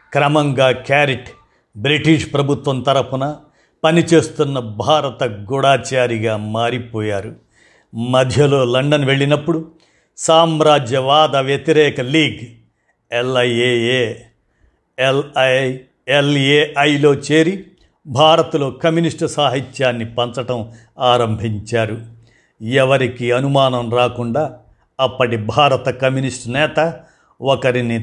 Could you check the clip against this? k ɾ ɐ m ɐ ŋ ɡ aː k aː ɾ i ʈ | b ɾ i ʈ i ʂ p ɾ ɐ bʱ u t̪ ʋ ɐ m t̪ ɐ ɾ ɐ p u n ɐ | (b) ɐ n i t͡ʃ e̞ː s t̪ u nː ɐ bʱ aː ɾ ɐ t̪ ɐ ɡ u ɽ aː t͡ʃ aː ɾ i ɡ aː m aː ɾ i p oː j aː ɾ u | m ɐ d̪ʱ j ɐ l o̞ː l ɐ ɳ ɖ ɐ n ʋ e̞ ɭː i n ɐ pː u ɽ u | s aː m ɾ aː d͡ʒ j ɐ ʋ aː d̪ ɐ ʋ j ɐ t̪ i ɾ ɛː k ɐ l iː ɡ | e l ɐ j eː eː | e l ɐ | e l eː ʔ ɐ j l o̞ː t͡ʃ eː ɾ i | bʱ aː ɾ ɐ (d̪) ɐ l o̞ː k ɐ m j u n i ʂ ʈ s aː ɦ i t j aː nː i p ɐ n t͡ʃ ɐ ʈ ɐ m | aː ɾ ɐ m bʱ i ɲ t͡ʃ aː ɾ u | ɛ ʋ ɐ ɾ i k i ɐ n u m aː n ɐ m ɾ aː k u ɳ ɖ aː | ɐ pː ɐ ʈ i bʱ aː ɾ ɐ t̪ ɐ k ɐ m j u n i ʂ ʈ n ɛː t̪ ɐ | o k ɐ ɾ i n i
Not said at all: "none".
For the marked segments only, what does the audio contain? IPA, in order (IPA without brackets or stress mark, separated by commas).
p, t̪